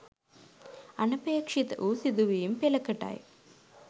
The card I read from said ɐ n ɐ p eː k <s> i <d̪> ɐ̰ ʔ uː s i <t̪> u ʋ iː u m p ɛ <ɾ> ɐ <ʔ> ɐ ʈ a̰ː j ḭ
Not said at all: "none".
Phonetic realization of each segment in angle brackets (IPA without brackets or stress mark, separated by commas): ʂ, t̪, d̪, l, k